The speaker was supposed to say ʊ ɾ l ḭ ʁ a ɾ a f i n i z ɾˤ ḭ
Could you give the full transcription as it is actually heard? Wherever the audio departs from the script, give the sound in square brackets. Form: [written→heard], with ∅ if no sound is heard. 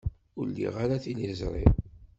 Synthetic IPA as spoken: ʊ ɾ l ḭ ʁ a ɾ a [f→θ] i n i z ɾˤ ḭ